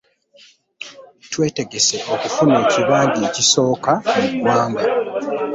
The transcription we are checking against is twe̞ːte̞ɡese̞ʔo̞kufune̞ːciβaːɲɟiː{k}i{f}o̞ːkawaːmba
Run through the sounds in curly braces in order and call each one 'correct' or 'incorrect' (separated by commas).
incorrect, incorrect